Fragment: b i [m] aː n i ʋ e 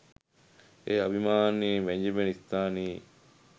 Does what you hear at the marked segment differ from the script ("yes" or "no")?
no